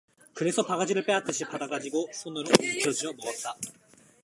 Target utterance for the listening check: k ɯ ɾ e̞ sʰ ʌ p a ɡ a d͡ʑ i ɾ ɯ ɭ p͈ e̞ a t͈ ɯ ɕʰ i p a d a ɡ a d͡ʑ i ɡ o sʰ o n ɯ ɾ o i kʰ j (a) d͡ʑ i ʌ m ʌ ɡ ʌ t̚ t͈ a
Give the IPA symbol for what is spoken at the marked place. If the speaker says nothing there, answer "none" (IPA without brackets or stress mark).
ʌ